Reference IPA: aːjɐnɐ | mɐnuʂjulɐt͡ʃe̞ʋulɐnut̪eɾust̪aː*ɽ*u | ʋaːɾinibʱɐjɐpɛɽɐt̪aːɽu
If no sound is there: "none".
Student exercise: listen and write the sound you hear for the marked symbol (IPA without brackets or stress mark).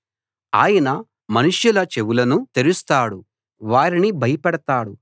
ɽ